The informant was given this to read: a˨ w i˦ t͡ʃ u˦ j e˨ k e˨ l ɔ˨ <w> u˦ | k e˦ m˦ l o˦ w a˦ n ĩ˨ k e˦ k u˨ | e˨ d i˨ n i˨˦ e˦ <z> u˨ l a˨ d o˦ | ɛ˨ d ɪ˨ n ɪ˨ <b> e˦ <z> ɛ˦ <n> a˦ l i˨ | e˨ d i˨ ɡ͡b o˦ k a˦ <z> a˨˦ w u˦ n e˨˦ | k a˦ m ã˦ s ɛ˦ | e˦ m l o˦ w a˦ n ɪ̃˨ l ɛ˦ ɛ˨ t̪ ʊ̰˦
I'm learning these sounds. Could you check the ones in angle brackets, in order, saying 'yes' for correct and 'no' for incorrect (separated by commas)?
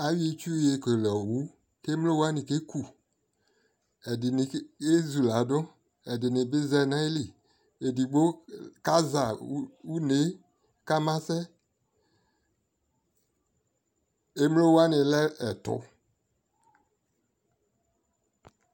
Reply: yes, yes, yes, yes, yes, yes